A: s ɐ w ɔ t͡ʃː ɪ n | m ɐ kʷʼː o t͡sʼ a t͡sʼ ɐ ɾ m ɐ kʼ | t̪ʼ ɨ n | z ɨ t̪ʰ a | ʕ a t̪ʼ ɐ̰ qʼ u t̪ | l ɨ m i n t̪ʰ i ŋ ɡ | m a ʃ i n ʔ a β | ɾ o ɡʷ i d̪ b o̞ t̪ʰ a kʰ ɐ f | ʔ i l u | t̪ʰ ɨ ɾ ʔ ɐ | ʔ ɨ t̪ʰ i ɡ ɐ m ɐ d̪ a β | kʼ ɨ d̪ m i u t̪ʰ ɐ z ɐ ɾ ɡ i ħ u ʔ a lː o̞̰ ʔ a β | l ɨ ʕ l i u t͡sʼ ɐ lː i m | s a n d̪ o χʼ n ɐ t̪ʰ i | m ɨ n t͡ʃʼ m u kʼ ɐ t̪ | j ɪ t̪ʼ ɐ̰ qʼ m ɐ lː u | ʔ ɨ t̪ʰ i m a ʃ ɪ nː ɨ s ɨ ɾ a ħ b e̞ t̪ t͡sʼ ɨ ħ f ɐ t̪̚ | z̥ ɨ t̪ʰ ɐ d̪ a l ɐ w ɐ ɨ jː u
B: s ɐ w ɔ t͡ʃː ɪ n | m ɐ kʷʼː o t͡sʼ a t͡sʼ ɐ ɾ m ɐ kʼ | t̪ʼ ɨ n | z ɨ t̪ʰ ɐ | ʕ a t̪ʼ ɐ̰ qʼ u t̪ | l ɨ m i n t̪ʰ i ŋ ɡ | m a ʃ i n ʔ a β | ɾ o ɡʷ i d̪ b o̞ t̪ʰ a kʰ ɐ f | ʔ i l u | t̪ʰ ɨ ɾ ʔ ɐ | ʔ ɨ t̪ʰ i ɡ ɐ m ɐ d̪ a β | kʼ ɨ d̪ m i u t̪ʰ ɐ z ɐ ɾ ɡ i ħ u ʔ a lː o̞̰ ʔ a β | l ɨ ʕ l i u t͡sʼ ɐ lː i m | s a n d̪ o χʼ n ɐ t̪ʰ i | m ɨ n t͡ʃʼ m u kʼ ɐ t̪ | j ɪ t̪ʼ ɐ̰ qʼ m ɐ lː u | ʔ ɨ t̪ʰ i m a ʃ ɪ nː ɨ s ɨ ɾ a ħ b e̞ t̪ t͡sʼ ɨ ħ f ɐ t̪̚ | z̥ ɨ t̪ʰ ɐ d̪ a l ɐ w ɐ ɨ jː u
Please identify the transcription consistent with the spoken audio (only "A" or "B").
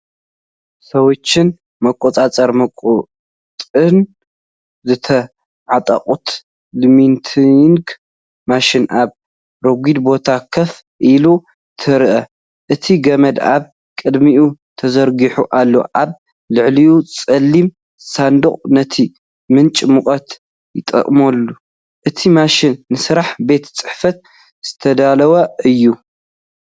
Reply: B